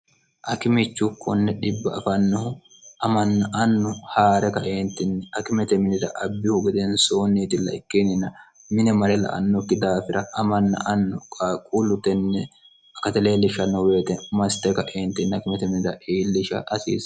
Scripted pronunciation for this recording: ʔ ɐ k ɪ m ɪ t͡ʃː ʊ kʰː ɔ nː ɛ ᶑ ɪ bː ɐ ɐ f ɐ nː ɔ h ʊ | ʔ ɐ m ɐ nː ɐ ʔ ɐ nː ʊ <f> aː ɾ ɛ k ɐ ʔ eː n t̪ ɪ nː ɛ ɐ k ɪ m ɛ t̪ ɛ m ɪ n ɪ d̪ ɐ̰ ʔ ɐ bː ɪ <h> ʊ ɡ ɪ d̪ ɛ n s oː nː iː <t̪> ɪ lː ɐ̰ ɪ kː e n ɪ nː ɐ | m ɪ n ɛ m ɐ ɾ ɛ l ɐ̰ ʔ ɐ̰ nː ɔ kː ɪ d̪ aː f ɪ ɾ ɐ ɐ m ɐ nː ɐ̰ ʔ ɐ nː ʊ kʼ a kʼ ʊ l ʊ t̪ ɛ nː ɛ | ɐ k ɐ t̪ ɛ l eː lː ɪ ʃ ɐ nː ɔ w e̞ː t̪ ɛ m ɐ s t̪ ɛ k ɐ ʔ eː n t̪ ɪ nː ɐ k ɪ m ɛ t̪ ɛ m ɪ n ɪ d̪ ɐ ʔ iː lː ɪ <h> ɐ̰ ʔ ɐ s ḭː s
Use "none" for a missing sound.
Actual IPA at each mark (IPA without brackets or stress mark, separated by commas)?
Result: h, h, t̪, ʃ